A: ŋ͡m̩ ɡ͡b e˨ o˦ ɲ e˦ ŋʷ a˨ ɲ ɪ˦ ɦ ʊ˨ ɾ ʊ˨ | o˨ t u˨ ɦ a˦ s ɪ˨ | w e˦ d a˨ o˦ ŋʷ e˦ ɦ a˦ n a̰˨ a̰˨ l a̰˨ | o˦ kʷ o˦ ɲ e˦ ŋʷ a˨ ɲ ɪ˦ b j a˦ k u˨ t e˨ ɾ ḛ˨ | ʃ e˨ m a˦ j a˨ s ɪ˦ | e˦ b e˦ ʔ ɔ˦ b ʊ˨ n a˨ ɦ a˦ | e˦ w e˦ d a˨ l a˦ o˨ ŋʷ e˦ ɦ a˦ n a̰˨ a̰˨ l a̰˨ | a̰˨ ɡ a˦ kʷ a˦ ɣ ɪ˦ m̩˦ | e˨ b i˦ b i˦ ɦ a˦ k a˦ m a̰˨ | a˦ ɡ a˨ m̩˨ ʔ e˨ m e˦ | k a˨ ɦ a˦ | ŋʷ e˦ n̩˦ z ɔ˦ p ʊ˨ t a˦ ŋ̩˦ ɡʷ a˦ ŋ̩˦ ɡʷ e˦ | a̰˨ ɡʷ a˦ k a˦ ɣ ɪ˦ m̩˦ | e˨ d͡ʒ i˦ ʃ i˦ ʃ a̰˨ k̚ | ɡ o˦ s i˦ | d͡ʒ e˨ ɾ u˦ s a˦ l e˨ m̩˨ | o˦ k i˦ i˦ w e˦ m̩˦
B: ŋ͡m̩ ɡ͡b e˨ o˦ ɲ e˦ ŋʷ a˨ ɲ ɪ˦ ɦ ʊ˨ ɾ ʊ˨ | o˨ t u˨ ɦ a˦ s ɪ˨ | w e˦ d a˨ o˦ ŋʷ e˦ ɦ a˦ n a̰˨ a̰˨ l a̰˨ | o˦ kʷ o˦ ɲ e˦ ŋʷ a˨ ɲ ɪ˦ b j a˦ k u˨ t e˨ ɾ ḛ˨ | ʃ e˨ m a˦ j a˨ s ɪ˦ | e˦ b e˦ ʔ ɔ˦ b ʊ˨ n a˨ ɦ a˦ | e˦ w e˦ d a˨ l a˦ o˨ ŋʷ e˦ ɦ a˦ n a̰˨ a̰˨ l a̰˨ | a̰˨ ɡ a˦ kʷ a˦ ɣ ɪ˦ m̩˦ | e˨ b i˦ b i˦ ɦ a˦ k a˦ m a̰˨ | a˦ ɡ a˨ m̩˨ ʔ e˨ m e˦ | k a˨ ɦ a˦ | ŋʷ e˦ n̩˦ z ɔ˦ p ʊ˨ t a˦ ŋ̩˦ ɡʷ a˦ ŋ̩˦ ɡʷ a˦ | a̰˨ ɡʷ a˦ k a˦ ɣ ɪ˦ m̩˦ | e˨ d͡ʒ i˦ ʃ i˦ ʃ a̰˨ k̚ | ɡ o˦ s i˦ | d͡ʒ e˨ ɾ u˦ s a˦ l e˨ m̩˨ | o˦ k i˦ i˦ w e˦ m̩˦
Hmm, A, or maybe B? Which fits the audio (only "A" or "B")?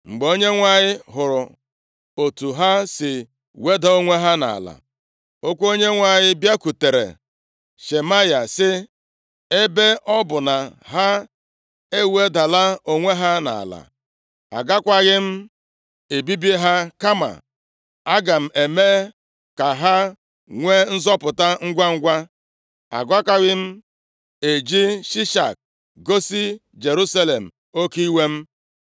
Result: B